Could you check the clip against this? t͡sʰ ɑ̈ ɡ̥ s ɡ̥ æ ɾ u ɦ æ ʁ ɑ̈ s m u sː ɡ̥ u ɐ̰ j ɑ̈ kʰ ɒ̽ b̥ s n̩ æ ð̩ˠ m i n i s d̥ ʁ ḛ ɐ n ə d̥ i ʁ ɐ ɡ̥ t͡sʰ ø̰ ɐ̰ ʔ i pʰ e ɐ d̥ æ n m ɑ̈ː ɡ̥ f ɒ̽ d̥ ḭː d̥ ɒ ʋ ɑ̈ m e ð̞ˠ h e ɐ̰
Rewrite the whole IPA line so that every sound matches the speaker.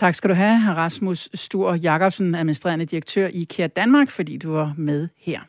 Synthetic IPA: t͡sʰ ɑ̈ ɡ̥ s ɡ̥ æ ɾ u ɦ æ ʁ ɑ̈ s m u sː d̥ u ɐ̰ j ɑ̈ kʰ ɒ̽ b̥ s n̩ æ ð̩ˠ m i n i s d̥ ʁ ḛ ɐ n ə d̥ i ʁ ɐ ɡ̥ t͡sʰ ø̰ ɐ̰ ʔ i kʰ e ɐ d̥ æ n m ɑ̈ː ɡ̥ f ɒ̽ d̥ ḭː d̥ u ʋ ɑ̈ m e ð̞ˠ h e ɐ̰